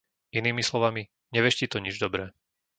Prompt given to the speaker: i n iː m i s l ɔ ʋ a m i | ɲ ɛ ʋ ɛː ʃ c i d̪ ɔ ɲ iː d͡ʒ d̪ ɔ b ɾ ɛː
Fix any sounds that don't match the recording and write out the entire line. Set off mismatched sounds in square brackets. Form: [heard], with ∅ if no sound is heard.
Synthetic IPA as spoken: i n iː m i s l ɔ ʋ a m i | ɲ ɛ ʋ [ɛ] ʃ c i [t̪] ɔ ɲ [i] d͡ʒ d̪ ɔ b ɾ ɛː